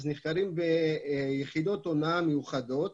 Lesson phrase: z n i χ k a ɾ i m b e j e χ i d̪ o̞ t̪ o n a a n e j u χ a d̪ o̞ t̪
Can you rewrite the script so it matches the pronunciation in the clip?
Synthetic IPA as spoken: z n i χ k a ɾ i m b e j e χ i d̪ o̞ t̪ o n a a m e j u χ a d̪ o̞ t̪